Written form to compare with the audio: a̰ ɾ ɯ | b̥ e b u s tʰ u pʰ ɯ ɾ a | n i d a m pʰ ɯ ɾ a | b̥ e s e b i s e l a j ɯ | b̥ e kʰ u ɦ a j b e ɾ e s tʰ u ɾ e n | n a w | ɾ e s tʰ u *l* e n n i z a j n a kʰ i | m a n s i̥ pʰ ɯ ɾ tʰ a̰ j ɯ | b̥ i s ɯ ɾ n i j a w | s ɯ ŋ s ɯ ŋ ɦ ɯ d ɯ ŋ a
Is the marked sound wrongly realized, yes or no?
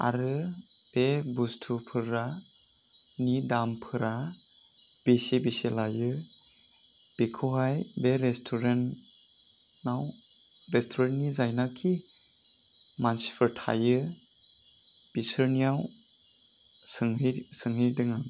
yes